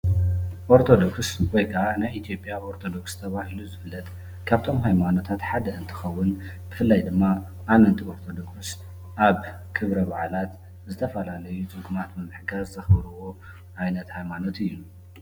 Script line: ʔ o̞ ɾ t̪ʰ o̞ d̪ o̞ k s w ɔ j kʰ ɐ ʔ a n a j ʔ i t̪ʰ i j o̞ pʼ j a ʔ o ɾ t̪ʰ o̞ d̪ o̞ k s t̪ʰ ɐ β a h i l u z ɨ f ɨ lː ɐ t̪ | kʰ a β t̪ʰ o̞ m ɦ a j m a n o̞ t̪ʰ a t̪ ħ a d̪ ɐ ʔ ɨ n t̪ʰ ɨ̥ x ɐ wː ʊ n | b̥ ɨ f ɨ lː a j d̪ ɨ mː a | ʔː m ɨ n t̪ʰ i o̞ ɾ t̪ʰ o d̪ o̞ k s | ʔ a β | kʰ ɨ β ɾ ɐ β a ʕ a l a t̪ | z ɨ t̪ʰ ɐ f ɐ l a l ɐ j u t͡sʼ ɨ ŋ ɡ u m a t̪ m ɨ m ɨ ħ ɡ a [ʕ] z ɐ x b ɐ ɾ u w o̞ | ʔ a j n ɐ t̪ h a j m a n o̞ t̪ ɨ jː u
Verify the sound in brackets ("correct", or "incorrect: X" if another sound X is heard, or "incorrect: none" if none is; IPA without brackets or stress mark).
incorrect: z